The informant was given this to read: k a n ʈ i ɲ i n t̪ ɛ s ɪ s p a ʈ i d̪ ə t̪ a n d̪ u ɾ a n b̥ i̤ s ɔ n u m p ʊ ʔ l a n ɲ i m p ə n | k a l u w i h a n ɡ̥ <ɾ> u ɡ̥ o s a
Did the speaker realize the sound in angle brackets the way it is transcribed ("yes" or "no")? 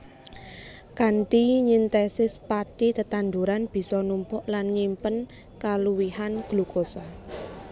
no